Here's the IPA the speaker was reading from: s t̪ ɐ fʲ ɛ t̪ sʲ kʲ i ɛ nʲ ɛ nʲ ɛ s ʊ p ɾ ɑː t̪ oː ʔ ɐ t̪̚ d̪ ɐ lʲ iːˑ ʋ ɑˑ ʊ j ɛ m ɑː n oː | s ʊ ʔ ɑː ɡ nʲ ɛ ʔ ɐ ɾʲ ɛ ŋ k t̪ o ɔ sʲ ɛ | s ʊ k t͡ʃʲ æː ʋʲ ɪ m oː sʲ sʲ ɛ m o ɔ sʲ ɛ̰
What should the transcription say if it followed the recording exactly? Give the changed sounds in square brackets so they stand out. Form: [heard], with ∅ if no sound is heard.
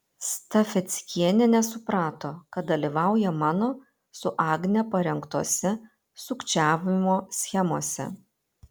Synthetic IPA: s t̪ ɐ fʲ ɛ t̪ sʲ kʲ i ɛ nʲ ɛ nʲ ɛ s ʊ p ɾ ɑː t̪ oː [k] ɐ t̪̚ d̪ ɐ lʲ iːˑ ʋ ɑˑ ʊ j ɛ m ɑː n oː | s ʊ ʔ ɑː ɡ nʲ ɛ [p] ɐ ɾʲ ɛ ŋ k t̪ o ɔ sʲ ɛ | s ʊ k t͡ʃʲ æː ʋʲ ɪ m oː sʲ [xʲ] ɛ m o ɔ sʲ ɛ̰